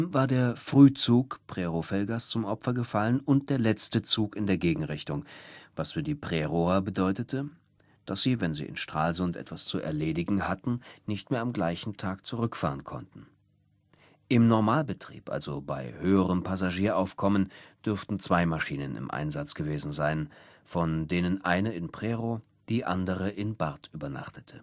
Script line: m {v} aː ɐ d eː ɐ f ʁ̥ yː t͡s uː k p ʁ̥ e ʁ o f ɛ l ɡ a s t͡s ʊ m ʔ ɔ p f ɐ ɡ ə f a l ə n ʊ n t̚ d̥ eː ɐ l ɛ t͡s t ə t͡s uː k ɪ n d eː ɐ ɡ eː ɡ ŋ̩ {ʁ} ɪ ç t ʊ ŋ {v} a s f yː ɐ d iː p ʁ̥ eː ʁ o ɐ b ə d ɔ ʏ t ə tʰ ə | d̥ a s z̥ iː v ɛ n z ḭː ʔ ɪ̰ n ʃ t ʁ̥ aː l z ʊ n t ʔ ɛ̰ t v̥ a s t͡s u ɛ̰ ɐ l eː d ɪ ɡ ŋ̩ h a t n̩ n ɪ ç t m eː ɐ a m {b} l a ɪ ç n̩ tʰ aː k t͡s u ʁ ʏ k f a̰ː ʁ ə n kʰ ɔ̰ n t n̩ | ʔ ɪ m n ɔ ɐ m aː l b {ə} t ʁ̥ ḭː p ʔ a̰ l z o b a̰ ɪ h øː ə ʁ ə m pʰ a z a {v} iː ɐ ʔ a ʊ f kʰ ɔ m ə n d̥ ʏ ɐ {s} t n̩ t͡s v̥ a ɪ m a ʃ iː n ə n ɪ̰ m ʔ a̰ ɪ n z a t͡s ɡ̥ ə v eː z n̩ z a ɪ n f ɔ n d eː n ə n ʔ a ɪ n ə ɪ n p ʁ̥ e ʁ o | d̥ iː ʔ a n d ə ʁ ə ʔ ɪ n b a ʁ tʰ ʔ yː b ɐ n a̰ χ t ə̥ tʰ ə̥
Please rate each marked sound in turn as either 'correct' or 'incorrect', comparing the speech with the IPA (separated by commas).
correct, correct, correct, incorrect, correct, incorrect, incorrect